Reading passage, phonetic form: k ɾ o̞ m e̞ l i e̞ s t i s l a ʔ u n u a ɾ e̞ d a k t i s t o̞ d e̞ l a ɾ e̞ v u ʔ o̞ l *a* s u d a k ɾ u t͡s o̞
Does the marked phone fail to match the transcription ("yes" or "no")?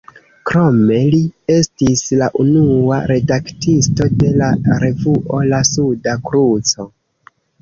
no